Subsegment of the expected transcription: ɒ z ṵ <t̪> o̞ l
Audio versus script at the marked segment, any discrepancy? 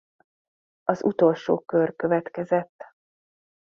no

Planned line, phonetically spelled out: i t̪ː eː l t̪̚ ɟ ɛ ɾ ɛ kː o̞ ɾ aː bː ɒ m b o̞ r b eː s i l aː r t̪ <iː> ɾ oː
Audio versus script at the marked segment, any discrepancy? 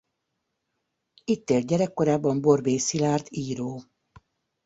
no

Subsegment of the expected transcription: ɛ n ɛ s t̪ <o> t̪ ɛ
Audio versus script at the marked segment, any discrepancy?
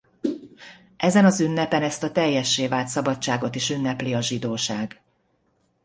yes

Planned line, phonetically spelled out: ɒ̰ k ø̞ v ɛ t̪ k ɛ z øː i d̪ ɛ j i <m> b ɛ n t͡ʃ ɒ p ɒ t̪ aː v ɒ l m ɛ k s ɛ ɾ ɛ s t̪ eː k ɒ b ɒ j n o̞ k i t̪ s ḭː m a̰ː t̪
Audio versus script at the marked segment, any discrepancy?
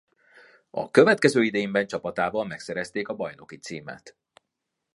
no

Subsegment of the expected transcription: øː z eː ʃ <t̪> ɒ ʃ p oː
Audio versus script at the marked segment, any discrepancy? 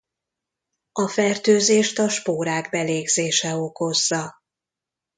no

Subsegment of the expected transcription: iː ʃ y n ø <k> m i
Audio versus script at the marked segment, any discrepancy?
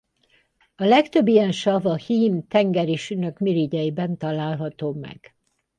no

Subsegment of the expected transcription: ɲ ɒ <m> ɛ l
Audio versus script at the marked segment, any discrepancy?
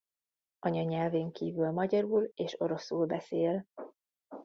yes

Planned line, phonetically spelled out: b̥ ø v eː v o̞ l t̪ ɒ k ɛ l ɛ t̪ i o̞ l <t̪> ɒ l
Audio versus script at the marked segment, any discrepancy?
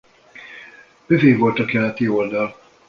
yes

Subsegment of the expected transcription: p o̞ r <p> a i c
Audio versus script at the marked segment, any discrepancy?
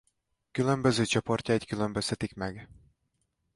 yes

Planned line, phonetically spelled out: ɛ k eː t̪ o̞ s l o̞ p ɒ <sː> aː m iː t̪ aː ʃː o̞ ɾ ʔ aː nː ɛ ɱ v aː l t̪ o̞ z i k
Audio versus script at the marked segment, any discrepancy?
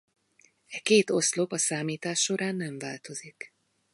yes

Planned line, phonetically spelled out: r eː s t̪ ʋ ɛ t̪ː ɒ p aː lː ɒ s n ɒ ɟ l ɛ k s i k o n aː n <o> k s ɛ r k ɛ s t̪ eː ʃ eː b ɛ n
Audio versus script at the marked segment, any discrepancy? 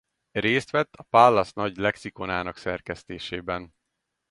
yes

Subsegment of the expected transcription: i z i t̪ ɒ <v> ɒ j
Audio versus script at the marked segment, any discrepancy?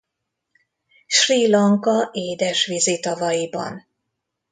no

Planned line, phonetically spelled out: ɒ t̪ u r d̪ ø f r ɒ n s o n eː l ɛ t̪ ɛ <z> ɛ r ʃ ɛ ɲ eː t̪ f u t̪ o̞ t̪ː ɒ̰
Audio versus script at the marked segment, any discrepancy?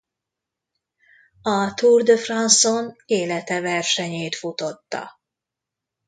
yes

